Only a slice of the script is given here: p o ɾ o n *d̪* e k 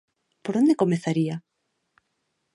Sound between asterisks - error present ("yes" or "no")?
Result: no